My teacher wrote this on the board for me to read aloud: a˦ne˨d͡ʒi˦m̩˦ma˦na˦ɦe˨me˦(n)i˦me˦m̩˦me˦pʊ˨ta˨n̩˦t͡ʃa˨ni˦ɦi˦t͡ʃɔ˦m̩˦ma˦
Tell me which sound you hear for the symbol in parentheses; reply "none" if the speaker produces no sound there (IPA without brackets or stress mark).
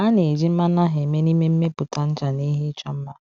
n